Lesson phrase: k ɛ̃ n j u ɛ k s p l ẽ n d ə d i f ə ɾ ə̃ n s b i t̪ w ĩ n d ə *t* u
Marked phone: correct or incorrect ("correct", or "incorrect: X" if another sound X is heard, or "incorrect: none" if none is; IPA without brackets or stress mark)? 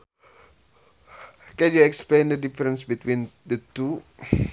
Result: correct